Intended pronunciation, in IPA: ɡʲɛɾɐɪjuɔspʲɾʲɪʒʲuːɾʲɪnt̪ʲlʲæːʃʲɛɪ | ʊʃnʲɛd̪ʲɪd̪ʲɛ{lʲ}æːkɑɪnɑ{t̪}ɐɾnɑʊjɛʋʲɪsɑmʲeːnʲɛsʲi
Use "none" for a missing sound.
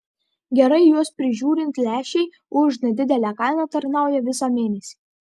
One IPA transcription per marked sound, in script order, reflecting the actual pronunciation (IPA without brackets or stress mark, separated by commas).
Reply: lʲ, t̪